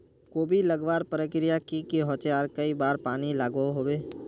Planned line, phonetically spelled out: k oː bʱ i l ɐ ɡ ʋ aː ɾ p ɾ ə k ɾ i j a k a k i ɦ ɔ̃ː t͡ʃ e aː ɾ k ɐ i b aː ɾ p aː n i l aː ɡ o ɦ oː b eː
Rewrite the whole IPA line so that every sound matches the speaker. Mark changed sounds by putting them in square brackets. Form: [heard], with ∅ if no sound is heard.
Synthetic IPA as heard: k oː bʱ i l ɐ ɡ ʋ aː ɾ p ɾ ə k ɾ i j a k [i] k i ɦ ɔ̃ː t͡ʃ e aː ɾ k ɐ i b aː ɾ p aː n i l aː ɡ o ɦ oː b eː